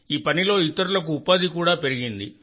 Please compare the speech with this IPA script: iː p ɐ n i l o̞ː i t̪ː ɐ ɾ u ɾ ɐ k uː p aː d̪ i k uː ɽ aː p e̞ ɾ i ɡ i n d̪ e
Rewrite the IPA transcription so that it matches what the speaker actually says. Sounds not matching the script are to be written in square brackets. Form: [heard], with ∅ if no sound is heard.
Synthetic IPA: iː p ɐ n i l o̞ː i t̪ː ɐ ɾ u [l] ɐ k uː p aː d̪ i k uː ɽ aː p e̞ ɾ i ɡ i n d̪ [i]

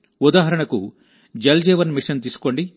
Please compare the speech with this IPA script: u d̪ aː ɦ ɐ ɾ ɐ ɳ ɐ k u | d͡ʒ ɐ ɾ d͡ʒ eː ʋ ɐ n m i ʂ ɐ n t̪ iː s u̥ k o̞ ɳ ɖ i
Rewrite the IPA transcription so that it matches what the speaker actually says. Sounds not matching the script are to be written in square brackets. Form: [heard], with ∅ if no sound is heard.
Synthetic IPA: u d̪ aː ɦ ɐ ɾ ɐ ɳ ɐ k u | d͡ʒ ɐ [l] d͡ʒ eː ʋ ɐ n m i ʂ ɐ n t̪ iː s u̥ k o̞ ɳ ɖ i

